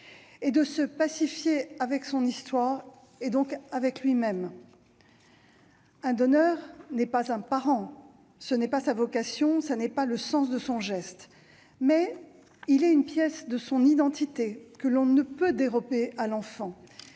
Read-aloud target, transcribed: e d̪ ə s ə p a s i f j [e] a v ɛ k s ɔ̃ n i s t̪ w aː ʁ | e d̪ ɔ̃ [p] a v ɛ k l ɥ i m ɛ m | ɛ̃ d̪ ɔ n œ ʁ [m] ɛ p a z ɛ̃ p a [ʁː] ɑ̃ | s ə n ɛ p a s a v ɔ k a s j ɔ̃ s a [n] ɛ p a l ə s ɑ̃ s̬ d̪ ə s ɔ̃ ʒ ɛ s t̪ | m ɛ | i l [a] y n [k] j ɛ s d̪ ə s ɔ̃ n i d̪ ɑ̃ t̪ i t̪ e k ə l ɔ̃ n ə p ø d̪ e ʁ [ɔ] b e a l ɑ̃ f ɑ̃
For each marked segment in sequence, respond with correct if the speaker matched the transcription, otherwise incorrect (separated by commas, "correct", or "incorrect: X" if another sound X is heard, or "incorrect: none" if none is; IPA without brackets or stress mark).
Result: correct, incorrect: k, incorrect: n, incorrect: ʁ, correct, incorrect: ɛ, incorrect: p, correct